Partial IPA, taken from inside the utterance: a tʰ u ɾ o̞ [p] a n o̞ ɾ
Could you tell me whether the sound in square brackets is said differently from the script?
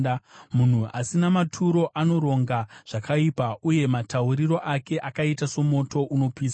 yes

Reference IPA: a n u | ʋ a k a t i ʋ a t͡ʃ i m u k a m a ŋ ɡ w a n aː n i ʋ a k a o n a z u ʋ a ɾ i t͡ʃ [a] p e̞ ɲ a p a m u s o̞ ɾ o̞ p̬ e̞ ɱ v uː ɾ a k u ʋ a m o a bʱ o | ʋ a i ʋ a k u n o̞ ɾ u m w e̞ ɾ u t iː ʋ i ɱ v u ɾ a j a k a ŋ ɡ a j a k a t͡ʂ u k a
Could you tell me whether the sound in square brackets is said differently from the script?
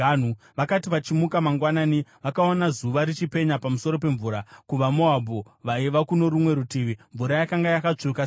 yes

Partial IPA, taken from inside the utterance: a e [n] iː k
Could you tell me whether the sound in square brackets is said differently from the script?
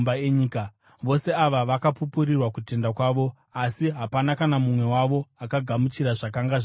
yes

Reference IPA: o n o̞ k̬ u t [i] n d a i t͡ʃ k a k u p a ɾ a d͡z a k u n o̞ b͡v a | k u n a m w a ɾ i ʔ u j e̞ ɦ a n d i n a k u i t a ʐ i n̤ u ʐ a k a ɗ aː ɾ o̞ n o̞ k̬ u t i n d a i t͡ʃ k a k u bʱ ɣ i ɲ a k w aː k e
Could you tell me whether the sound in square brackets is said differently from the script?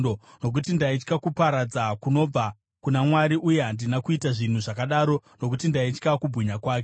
no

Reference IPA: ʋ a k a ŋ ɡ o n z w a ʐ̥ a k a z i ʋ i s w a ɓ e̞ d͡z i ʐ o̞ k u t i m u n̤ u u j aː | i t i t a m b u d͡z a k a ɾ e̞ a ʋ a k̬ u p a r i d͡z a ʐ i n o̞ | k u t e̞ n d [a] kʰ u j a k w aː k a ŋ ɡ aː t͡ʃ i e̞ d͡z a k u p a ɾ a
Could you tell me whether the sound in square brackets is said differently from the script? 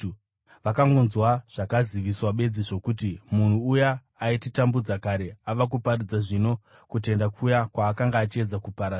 no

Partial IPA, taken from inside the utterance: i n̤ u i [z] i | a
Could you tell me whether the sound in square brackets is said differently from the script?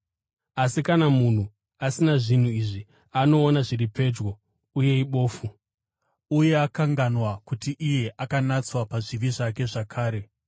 yes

